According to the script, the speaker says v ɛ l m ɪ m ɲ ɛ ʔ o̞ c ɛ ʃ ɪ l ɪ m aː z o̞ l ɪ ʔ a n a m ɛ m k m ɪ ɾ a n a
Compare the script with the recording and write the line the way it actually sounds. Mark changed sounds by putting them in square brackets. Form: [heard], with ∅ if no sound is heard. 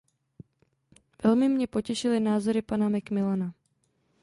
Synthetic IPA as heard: v ɛ l m ɪ m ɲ ɛ [p] o̞ c ɛ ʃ ɪ l ɪ [n] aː z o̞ [ɾ] ɪ [p] a n a m ɛ [∅] k m ɪ [l] a n a